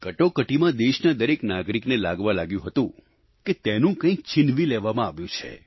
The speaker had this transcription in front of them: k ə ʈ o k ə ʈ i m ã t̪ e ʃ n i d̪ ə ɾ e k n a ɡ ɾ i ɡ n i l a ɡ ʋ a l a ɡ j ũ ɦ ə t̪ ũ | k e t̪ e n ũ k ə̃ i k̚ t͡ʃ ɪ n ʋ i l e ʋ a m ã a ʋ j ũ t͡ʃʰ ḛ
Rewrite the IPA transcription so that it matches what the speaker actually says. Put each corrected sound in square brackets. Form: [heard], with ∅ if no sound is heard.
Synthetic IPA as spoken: k ə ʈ o k ə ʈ i m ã [d̪] e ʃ n [a] d̪ ə ɾ e k n a ɡ ɾ i [k] n [e] l a ɡ ʋ a l a ɡ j ũ ɦ ə t̪ ũ | k e t̪ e n ũ k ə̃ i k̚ t͡ʃ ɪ n ʋ i l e ʋ a m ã a ʋ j ũ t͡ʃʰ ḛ